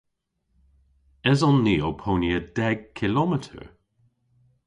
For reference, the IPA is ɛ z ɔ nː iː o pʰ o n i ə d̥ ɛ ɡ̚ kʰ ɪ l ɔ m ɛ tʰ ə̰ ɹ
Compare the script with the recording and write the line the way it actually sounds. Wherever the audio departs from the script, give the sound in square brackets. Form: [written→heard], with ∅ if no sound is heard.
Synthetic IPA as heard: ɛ z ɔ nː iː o pʰ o n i ə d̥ ɛ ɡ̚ kʰ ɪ l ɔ m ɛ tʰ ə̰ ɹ